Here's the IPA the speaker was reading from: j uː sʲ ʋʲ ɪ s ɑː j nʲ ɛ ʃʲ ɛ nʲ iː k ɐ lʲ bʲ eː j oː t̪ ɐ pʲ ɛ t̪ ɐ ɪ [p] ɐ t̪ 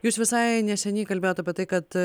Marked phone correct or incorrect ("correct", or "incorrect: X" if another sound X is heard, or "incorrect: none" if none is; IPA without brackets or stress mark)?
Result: incorrect: k